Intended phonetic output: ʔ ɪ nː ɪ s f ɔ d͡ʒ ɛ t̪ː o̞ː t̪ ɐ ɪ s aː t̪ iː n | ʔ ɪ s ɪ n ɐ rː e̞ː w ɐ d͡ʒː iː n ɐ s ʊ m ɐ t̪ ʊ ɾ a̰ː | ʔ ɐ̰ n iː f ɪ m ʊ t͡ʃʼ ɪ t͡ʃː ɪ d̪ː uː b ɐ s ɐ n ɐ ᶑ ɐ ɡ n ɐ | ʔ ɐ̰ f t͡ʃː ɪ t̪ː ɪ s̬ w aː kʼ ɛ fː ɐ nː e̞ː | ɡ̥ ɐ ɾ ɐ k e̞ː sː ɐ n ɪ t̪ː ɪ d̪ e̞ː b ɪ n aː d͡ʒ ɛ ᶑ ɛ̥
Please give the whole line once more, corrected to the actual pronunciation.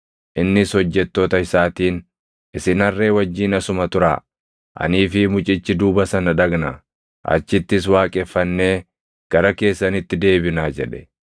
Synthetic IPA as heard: ʔ ɪ nː ɪ s h ɔ d͡ʒː ɛ t̪ː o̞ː t̪ ɐ ɪ s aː t̪ iː n | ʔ ɪ s ɪ n ɐ rː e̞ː w ɐ d͡ʒː iː n ɐ s ʊ m ɐ t̪ ʊ ɾ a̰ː | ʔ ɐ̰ n iː f ɪ m ʊ t͡ʃʼ ɪ t͡ʃː ɪ d̪ uː b ɐ s ɐ n ɐ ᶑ ɐ ɡ n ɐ | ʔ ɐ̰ t͡ʃː ɪ t̪ː ɪ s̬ w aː kʼ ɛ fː ɐ nː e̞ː | ɡ̥ ɐ ɾ ɐ k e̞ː sː ɐ n ɪ t̪ː ɪ d̪ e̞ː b ɪ n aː d͡ʒ ɛ ᶑ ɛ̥